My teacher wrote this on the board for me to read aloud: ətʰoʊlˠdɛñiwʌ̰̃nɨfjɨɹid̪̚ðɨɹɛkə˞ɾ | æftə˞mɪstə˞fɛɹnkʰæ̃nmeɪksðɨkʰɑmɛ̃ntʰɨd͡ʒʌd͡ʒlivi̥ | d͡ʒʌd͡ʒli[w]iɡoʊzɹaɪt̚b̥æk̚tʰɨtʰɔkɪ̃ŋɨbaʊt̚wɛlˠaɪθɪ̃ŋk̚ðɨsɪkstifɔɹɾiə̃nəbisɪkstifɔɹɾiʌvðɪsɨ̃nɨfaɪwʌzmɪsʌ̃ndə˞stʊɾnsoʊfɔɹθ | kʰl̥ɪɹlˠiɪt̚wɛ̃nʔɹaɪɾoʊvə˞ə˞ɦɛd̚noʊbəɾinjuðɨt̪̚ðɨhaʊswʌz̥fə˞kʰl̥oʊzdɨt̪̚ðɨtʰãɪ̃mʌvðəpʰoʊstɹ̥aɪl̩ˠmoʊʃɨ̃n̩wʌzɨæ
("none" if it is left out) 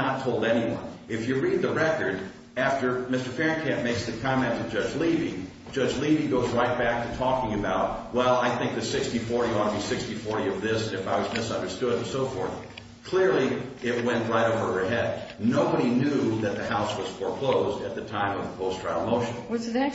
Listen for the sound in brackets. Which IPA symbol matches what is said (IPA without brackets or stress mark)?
v